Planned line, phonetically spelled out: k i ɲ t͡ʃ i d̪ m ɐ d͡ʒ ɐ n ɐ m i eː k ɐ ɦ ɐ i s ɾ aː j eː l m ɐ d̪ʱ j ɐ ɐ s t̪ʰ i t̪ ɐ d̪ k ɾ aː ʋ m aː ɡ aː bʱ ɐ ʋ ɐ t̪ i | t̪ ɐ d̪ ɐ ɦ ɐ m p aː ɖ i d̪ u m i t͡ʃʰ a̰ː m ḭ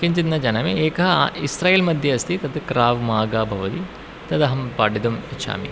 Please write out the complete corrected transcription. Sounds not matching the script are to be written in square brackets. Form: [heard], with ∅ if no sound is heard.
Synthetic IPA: k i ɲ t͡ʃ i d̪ [n] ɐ d͡ʒ ɐ n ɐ m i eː k ɐ ɦ ɐ i s ɾ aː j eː l m ɐ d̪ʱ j ɐ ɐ s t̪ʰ i t̪ ɐ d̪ k ɾ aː ʋ m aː ɡ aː bʱ ɐ ʋ ɐ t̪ i | t̪ ɐ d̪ ɐ ɦ ɐ m p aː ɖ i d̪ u m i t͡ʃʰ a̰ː m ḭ